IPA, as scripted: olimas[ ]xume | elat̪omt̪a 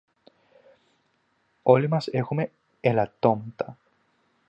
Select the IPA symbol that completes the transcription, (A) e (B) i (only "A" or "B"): A